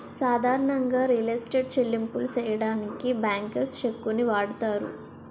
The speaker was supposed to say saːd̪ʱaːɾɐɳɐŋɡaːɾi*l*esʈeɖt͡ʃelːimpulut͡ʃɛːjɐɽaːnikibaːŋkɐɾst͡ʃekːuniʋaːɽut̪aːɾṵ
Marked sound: correct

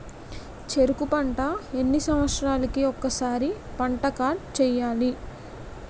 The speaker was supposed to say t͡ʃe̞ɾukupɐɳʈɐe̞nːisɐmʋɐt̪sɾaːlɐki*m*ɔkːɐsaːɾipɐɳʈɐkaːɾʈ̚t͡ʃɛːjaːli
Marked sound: incorrect: none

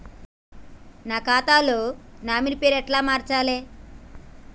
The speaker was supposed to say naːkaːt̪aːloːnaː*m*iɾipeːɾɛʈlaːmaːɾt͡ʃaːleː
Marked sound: correct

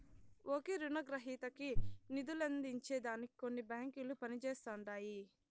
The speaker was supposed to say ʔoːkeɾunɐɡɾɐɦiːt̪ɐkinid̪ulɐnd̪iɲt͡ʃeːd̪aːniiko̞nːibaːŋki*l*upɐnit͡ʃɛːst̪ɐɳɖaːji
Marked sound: correct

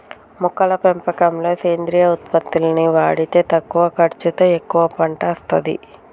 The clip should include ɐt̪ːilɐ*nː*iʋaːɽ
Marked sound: incorrect: n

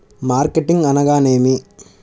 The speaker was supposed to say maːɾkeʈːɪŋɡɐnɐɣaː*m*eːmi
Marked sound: incorrect: n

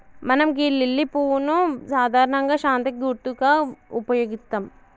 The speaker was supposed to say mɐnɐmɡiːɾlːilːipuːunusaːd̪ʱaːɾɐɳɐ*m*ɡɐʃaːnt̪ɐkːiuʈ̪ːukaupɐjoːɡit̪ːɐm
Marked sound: incorrect: ŋ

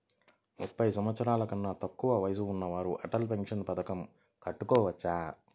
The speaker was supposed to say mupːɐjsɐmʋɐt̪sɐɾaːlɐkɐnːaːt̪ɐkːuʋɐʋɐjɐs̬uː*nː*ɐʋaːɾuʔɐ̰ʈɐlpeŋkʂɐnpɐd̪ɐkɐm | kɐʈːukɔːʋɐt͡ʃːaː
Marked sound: correct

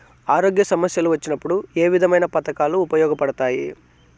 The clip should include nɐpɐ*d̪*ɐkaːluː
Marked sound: incorrect: t̪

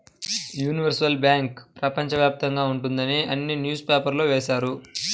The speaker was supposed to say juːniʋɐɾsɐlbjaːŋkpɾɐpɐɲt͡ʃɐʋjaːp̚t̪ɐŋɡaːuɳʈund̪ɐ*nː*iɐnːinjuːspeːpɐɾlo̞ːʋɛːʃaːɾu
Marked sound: incorrect: n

